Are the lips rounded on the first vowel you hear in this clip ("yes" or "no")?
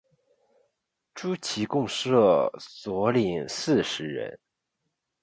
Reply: yes